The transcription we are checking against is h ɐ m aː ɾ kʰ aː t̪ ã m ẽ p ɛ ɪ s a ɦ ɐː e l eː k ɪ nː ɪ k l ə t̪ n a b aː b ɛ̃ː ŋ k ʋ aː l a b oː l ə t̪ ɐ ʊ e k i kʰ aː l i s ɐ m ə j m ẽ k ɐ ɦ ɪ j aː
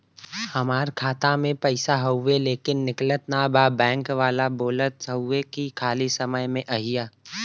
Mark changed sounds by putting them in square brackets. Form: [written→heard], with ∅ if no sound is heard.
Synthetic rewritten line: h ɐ m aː ɾ kʰ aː t̪ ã m ẽ p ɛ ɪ s a ɦ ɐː e l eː k ɪ nː ɪ k l ə t̪ n a b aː b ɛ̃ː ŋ k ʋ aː l a b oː l ə t̪ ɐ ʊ e k i kʰ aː l i s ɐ m ə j m ẽ [k→ʔ] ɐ ɦ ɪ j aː